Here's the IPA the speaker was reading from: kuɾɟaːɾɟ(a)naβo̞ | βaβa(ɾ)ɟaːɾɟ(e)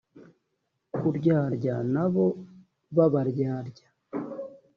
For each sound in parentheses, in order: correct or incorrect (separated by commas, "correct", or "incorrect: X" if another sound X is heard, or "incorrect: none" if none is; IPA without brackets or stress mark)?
correct, correct, incorrect: a